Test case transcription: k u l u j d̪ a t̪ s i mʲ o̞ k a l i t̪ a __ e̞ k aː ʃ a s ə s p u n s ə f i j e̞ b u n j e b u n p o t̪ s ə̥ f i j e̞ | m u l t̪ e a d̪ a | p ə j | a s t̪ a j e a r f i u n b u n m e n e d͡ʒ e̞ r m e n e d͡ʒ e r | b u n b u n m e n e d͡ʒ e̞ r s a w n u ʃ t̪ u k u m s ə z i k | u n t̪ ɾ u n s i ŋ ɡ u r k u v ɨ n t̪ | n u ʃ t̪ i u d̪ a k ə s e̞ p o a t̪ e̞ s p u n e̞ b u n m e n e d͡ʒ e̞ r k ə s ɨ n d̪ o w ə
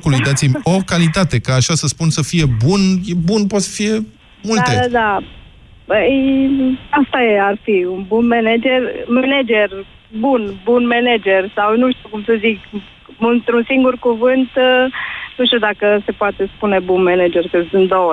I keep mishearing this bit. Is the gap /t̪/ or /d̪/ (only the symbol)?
t̪